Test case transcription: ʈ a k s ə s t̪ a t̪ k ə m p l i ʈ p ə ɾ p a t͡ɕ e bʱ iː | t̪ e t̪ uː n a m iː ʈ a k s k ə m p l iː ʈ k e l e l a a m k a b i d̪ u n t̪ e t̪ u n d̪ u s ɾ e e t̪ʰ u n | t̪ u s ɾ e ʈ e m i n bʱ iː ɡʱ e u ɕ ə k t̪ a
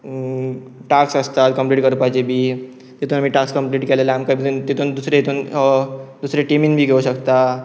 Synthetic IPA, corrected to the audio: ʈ a k s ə s t̪ a t̪ k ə m p l i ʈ k ə ɾ p a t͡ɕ e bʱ iː | t̪ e t̪ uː n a m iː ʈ a k s k ə m p l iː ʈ k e l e l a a m k a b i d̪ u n t̪ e t̪ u n d̪ u s ɾ e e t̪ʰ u n | d̪ u s ɾ e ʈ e m i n bʱ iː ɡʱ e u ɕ ə k t̪ a